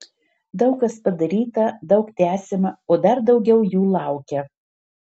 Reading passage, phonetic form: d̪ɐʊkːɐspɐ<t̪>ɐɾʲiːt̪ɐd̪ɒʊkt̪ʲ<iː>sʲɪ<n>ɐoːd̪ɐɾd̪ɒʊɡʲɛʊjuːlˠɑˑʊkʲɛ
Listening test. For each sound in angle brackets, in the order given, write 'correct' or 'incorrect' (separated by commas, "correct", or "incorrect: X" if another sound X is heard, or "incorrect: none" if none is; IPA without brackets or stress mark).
incorrect: d̪, incorrect: æː, incorrect: m